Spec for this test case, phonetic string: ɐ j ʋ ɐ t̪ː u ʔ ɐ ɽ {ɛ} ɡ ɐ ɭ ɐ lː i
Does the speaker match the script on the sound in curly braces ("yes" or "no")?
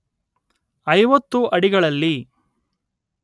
no